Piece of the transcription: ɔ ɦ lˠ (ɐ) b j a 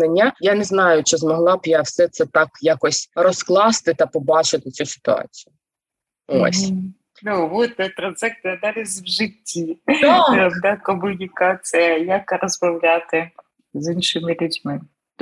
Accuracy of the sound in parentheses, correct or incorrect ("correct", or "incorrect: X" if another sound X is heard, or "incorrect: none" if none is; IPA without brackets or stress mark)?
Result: incorrect: ɑ